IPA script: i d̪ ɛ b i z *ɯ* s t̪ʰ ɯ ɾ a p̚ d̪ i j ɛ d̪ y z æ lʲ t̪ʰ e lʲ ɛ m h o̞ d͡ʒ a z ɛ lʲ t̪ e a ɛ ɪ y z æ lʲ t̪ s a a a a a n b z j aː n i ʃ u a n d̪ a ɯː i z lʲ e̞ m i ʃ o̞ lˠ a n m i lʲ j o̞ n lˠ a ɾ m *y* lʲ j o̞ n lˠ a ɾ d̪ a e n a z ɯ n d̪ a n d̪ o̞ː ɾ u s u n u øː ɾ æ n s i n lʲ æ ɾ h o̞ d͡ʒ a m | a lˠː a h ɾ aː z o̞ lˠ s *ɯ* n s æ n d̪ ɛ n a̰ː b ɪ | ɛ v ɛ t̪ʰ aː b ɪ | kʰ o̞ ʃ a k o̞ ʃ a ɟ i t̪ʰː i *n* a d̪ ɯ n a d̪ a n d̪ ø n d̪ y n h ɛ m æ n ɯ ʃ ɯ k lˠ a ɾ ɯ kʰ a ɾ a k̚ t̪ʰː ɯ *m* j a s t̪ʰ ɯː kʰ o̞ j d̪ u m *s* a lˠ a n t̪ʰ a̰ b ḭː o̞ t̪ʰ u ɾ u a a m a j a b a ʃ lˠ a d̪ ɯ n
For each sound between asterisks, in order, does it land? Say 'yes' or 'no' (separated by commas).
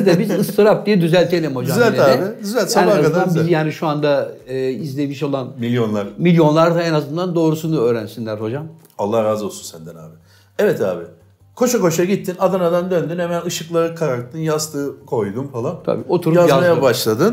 yes, no, no, yes, no, no